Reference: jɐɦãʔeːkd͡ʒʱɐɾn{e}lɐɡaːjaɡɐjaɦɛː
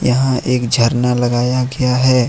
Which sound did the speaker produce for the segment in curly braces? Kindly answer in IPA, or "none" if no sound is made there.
a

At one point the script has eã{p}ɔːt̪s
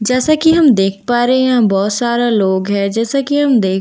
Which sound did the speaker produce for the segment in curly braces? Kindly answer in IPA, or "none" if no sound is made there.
b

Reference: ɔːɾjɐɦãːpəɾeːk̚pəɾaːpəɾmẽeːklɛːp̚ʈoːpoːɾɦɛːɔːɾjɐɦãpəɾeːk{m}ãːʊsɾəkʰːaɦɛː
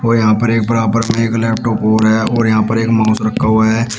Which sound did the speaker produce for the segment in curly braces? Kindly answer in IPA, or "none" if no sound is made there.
m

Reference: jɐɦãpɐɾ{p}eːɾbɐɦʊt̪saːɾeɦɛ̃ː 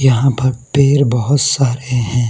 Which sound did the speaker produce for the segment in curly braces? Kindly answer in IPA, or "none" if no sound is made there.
p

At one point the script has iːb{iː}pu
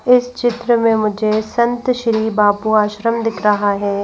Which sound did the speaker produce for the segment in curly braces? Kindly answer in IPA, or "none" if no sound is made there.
aː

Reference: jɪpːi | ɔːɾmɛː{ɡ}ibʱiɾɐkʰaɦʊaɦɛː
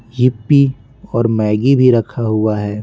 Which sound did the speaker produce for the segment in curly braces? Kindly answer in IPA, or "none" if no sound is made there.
ɡ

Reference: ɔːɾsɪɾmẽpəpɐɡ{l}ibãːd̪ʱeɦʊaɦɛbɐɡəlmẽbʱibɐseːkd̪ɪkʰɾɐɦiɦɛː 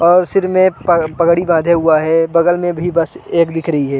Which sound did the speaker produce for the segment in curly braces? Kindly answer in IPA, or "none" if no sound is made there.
ɽ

